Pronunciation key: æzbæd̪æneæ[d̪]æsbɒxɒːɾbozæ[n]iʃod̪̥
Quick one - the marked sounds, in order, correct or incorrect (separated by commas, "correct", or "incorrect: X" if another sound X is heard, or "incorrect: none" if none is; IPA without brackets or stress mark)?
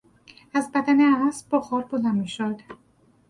incorrect: none, incorrect: m